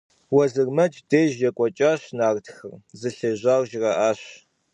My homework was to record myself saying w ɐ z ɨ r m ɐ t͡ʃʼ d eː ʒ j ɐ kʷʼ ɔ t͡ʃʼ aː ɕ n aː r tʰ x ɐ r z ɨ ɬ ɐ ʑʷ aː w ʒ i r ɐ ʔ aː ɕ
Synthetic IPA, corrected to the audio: w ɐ z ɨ r m ɐ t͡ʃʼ d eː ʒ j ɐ kʷʼ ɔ t͡ʃʼ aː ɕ n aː r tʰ x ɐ r z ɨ ɬ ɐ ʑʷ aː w ʒ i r ɐ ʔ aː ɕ

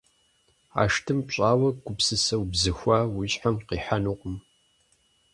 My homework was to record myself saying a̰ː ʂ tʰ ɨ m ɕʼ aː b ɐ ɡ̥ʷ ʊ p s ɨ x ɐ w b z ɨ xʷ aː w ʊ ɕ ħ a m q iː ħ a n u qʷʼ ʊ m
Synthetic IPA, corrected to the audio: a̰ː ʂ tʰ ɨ m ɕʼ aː w ɐ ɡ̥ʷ ʊ p s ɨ s ɐ w b z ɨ xʷ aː w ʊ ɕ ħ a m q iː ħ a n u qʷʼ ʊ m

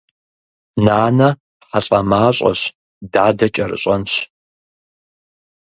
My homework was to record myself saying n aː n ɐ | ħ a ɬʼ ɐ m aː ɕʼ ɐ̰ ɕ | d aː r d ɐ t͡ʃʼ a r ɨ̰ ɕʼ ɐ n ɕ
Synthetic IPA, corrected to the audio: n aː n ɐ | ħ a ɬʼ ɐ m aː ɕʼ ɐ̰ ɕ | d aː d ɐ t͡ʃʼ ɐ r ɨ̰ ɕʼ ɐ n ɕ

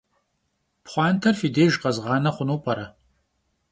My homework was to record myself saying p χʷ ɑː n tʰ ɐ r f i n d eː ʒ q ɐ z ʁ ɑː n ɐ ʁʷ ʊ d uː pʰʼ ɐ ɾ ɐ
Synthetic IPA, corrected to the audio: p χʷ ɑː n tʰ ɐ r f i d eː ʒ q ɐ z ʁ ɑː n ɐ χʷ ʊ n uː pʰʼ ɐ ɾ ɐ

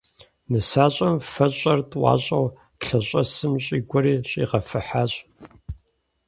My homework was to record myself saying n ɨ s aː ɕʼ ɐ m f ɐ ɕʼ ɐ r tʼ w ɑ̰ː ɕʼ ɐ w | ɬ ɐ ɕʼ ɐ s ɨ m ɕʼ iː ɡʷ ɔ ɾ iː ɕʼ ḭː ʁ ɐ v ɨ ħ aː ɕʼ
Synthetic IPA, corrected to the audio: n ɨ s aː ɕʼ ɐ m f ɐ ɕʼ ɐ r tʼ w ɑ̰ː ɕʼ ɐ w | ɬ ɐ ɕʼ ɐ s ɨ m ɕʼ iː ɡʷ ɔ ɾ iː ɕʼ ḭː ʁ ɐ f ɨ ħ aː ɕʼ

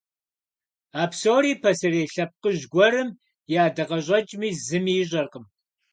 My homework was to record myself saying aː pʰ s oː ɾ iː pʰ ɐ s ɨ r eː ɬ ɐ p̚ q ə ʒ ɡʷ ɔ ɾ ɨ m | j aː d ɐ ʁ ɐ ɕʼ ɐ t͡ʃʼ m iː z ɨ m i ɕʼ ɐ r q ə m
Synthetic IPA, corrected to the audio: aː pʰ s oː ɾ iː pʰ ɐ s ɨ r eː ɬ ɐ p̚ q ə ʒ ɡʷ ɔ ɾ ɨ m | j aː d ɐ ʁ ɐ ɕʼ ɐ t͡ʃʼ m iː z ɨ m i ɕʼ ɐ r q ə m

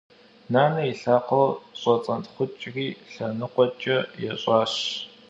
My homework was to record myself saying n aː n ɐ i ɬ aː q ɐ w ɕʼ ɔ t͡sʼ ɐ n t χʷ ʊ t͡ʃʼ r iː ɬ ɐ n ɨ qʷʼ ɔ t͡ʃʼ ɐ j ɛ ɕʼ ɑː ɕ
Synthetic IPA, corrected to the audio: n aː n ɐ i ɬ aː q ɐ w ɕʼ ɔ t͡sʼ ɐ n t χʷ ʊ t͡ʃʼ r iː ɬ ɐ n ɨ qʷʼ ɔ t͡ʃʼ ɐ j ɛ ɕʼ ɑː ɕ

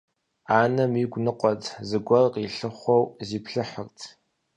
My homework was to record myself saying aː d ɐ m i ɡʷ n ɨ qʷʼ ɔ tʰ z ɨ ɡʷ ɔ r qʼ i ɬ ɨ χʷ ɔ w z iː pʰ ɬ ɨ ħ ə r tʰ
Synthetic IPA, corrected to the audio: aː n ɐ m i ɡʷ n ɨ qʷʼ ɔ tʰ z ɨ ɡʷ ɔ r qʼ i ɬ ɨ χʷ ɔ w z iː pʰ ɬ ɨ ħ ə r tʰ

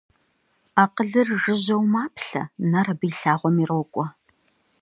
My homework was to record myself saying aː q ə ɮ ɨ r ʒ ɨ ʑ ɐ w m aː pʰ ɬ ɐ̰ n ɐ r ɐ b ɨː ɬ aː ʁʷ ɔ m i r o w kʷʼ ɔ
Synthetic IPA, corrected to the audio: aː q ə ɮ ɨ r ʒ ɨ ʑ ɐ w m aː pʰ ɬ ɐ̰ n ɐ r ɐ b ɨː ɬ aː ʁʷ ɔ m i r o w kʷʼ ɔ

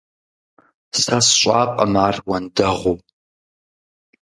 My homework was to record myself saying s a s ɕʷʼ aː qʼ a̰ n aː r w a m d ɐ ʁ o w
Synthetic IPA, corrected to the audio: s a s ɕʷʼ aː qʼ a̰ m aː r w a n d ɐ ʁ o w

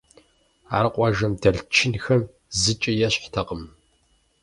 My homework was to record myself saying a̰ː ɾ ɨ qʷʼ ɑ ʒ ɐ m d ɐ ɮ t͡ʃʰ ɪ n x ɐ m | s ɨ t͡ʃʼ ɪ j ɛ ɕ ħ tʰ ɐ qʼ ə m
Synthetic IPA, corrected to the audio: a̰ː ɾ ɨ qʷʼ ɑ ʒ ɐ m d ɐ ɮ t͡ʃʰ ɪ n x ɐ m | z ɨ t͡ʃʼ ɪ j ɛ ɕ ħ tʰ ɐ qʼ ə m

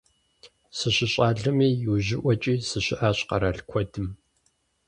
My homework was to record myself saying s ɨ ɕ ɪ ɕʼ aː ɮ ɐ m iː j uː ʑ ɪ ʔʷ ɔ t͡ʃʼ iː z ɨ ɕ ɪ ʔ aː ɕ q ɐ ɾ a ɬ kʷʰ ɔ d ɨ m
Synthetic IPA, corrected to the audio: s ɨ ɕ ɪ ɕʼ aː ɮ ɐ m iː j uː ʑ ɪ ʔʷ ɔ t͡ʃʼ iː s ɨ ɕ ɪ ʔ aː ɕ q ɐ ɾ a ɬ kʷʰ ɔ d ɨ m

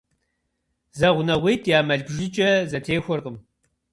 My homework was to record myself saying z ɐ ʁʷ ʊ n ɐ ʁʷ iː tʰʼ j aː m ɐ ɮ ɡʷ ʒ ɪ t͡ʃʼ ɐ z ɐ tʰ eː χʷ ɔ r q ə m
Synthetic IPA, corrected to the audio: z ɐ ʁʷ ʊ n ɐ ʁʷ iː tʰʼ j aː m ɐ ɮ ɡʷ ʒ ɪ t͡ʃʼ ɐ z ɐ tʰ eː xʷ ɔ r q ə m

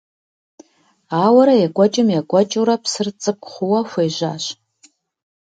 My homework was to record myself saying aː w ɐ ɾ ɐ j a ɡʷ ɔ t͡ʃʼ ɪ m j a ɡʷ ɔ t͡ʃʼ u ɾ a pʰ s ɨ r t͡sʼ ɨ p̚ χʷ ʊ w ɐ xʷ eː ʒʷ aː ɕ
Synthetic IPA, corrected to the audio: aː w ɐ ɾ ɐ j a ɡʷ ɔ t͡ʃʼ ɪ m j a ɡʷ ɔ t͡ʃʼ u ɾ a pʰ s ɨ r t͡sʼ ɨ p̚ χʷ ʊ w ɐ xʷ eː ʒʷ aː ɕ

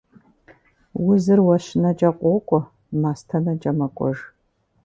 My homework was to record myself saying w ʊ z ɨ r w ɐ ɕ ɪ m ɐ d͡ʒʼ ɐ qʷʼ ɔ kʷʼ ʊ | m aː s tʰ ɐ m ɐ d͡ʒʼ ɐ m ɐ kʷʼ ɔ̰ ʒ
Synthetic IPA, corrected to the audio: w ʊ z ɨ r w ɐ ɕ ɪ n ɐ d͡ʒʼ ɐ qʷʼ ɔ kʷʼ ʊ | m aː s tʰ ɐ n ɐ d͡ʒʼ ɐ m ɐ kʷʼ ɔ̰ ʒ

